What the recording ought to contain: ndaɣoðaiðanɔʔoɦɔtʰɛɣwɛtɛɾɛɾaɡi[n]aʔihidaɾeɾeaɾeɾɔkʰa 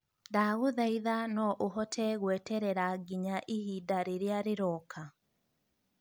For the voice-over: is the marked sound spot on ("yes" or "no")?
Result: no